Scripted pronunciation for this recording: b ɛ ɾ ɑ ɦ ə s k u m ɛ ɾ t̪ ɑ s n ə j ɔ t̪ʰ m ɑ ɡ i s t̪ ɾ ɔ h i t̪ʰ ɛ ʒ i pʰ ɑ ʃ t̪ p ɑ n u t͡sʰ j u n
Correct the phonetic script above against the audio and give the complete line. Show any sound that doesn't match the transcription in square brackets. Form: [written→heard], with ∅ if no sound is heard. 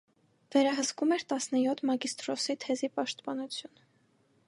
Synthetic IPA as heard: [b→v] ɛ ɾ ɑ ɦ ə s k u m ɛ ɾ t̪ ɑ s n ə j ɔ t̪ʰ m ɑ ɡ i s t̪ ɾ ɔ [h→s] i t̪ʰ ɛ [ʒ→z] i [pʰ→p] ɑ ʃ t̪ p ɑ n u t͡sʰ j u n